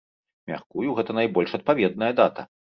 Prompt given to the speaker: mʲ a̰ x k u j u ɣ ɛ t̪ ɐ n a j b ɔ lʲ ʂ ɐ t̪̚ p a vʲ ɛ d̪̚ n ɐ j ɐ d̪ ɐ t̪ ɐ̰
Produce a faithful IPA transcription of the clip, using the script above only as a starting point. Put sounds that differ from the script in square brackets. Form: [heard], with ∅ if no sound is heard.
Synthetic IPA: mʲ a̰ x k u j u ɣ ɛ t̪ ɐ n a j b ɔ lʲ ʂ ɐ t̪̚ p a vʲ ɛ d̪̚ n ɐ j ɐ d̪ [a] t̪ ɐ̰